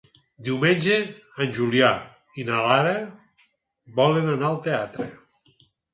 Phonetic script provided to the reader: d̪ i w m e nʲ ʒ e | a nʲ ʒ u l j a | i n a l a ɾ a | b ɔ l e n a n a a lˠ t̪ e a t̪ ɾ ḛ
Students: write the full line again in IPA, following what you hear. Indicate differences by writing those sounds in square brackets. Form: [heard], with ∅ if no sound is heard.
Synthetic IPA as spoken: d̪ i w m e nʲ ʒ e | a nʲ ʒ u l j a | i n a l a ɾ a | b ɔ l e n a n a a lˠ t̪ e a t̪ ɾ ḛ

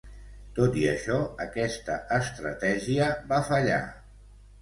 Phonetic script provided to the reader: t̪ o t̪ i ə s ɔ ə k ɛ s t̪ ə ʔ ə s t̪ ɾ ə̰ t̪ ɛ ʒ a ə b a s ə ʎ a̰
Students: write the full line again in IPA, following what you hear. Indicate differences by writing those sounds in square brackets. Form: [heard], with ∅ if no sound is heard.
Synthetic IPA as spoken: t̪ o t̪ i ə [ʃ] ɔ ə k ɛ s t̪ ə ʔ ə s t̪ ɾ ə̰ t̪ ɛ ʒ [i] ə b a [f] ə ʎ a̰

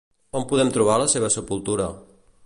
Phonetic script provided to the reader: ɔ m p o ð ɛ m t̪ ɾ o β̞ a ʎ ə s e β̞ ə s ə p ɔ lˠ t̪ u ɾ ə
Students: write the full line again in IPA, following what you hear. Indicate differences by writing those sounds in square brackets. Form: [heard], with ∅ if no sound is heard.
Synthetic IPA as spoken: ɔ m p [u] ð ɛ m t̪ ɾ [u] β̞ a [l] ə s e β̞ ə s ə p [u] lˠ t̪ u ɾ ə

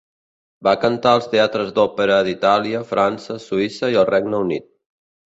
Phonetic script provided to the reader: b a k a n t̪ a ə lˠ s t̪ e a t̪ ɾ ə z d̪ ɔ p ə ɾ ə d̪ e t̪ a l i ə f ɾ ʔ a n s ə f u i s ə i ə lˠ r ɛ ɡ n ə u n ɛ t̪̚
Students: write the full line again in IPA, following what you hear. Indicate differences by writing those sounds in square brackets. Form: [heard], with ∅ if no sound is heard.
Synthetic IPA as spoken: b a k [ə] n t̪ a ə lˠ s t̪ e a t̪ ɾ ə z d̪ ɔ p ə ɾ ə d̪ [i] t̪ a l i ə f ɾ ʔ a n s ə [s] u i s ə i ə lˠ r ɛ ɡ n ə u n [i] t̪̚

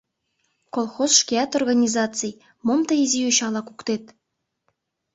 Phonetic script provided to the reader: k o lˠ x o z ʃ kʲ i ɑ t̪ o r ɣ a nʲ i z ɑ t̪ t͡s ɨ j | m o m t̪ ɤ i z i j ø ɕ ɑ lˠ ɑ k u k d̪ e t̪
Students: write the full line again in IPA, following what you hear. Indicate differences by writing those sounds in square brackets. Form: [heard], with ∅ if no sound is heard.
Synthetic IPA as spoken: k o lˠ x o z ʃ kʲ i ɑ t̪ o r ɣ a nʲ i z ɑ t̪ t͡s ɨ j | m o m t̪ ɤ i z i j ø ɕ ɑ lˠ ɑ k u k [t̪] e t̪

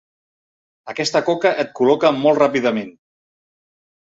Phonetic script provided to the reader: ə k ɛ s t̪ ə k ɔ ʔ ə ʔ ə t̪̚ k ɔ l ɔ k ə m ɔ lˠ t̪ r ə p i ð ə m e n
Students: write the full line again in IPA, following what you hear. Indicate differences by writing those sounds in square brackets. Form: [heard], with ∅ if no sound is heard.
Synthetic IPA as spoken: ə k ɛ s t̪ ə k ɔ [k] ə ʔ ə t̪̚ k [u] l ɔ k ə m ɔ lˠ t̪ r [a] p i ð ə m e n

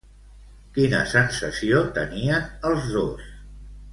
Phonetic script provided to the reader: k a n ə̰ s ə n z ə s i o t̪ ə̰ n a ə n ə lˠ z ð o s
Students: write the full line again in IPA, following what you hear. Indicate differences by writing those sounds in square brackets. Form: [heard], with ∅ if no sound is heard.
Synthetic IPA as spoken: k [i] n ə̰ s ə n [s] ə s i o t̪ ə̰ n [i] ə n ə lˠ z ð o s

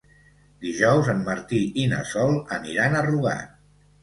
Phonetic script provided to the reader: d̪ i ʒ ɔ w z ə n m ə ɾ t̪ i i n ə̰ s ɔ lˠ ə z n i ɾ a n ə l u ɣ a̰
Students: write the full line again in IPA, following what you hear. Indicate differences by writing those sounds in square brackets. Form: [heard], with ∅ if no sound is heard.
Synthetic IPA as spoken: d̪ i ʒ ɔ w z ə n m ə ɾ t̪ i i n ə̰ s ɔ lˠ ə [∅] n i ɾ a n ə [r] u ɣ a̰

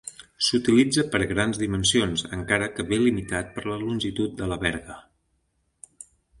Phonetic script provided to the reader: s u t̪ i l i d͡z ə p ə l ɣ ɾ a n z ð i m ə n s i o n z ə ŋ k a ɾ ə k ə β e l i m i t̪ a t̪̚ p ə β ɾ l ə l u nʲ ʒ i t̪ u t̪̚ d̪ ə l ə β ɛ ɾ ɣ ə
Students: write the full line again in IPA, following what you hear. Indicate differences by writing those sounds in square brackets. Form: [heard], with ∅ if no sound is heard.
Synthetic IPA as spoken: s u t̪ i l i d͡z ə p ə [ɾ] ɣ ɾ a n z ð i m ə n s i o n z ə ŋ k a ɾ ə k ə β e l i m i t̪ a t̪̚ p ə [∅] ɾ l ə l u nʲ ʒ i t̪ u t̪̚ d̪ ə l ə β ɛ ɾ ɣ ə

